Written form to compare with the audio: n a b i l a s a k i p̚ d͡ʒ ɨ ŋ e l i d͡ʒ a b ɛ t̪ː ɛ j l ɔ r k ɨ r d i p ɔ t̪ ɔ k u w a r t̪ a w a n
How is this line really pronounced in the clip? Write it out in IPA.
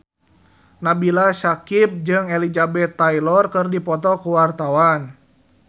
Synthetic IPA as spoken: n a b i l a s a k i p̚ d͡ʒ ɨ ŋ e l i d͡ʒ a b ɛ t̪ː a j l ɔ r k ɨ r d i p ɔ t̪ ɔ k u w a r t̪ a w a n